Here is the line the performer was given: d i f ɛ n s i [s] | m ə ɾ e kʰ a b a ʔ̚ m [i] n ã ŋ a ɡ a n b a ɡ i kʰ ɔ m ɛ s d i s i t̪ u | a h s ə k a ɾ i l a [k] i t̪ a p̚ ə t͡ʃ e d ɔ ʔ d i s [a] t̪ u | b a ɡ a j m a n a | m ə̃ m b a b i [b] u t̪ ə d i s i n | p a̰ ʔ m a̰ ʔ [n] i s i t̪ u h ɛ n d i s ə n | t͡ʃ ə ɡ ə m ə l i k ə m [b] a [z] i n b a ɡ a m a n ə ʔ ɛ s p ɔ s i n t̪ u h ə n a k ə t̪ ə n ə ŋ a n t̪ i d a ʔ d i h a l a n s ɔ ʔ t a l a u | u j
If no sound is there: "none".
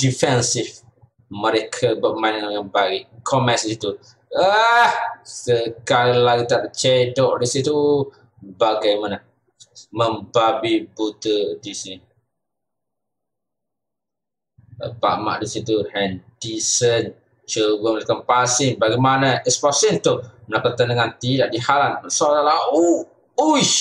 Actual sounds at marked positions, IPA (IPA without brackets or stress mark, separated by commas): f, a, ɡ, i, b, d, p, s